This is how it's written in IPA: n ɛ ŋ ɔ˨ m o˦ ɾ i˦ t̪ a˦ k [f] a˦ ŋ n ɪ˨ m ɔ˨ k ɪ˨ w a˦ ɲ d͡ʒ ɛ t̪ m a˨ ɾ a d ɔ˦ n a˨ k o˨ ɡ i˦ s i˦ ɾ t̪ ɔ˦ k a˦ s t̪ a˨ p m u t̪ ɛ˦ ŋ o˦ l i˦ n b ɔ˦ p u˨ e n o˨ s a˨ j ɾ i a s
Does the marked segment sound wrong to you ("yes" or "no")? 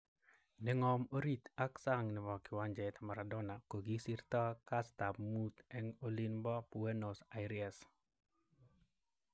yes